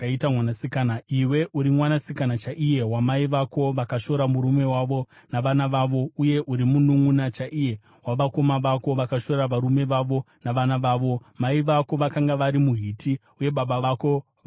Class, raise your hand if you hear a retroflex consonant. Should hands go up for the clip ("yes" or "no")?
no